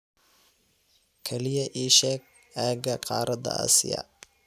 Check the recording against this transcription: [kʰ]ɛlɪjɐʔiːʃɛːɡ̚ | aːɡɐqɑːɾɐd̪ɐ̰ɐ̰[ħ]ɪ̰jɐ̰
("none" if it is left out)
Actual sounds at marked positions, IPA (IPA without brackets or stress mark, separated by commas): kʰ, s